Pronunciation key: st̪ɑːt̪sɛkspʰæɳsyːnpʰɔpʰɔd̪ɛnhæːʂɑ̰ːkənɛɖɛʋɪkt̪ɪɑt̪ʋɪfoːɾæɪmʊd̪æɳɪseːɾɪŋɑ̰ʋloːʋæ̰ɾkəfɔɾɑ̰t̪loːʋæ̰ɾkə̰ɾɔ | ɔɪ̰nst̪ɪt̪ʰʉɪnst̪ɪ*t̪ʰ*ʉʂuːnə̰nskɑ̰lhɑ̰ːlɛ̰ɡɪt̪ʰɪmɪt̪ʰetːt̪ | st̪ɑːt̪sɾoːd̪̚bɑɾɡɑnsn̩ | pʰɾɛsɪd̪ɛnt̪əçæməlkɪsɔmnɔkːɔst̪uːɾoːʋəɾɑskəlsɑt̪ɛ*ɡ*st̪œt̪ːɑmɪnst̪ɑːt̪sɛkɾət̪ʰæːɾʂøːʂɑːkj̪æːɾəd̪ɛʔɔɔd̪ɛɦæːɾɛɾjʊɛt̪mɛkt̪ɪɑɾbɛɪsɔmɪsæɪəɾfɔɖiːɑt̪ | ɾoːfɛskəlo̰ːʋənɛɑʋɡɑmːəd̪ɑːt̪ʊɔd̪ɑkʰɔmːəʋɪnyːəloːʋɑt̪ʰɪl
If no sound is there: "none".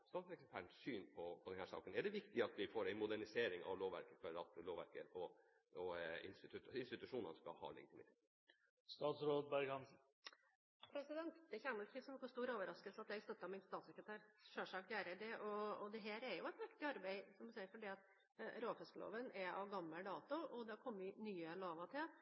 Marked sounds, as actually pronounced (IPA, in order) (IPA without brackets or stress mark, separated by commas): t̪, ɡ